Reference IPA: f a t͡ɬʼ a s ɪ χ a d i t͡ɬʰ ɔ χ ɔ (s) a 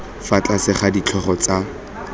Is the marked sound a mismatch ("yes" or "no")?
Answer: yes